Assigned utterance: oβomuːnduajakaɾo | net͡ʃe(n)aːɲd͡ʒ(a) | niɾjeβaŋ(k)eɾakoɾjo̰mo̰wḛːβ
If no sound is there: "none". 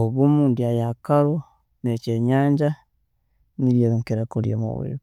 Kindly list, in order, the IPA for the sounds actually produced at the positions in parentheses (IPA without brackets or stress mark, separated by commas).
ɲ, a, k